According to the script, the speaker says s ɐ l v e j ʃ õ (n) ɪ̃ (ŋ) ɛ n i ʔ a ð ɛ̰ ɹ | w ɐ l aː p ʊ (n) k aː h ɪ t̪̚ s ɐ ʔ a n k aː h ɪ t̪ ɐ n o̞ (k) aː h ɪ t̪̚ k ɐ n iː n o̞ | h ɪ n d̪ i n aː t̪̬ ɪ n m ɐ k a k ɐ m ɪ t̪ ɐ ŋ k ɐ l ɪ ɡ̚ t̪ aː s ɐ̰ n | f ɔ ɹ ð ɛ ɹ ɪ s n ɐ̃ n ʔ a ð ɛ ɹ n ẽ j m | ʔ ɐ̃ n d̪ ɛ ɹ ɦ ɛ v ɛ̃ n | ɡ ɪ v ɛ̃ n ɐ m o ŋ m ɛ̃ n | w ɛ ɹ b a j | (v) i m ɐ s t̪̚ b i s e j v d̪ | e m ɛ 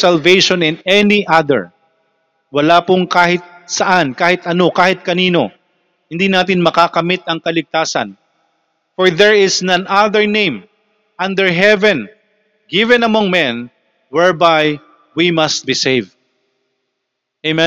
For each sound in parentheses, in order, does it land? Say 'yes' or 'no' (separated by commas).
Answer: yes, no, no, yes, no